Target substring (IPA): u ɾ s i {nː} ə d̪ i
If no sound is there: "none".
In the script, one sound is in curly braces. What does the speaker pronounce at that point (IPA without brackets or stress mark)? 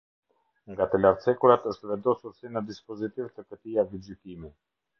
n